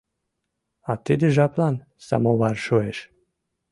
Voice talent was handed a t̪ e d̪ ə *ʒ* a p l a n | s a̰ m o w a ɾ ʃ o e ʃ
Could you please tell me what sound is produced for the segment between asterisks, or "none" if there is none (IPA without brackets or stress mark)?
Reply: ʒ